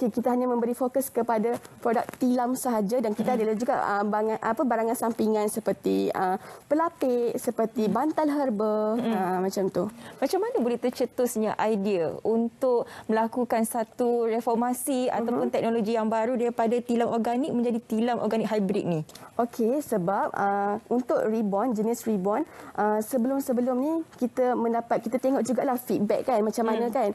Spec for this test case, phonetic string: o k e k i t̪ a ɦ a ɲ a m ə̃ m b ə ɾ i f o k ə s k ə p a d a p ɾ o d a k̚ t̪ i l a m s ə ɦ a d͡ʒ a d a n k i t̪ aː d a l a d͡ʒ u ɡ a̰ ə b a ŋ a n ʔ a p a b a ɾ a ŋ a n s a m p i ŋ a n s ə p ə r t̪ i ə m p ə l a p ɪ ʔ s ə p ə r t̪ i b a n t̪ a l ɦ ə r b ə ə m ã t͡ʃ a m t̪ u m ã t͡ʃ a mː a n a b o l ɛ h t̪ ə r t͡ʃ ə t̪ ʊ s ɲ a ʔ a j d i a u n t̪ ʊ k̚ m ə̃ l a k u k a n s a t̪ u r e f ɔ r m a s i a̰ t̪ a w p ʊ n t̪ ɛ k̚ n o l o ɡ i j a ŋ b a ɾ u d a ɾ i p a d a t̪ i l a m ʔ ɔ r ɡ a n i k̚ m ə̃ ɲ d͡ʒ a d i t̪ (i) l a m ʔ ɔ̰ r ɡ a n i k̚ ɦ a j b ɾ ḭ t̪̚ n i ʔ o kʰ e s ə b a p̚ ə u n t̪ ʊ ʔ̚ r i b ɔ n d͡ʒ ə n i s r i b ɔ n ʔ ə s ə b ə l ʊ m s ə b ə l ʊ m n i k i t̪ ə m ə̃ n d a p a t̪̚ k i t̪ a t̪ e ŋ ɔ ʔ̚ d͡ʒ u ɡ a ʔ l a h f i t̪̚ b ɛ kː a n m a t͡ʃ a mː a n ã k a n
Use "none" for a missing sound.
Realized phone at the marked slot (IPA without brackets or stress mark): i